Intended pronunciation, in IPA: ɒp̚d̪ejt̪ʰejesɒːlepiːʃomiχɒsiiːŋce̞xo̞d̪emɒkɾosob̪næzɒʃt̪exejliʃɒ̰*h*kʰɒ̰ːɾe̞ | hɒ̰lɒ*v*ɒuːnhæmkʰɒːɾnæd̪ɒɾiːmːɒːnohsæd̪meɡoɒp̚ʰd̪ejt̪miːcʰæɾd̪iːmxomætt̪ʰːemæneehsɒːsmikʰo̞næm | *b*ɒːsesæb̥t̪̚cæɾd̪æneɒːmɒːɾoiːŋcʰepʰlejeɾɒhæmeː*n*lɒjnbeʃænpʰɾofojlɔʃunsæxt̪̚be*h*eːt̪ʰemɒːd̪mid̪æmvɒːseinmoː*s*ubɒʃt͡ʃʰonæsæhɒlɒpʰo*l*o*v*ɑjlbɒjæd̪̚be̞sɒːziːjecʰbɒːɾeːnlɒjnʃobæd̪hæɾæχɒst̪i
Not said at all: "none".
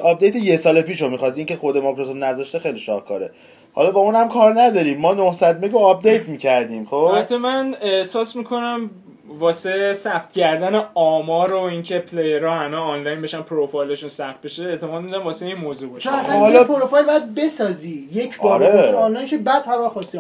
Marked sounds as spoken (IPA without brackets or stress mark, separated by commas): h, b, v, n, ʃ, z, ɾ, f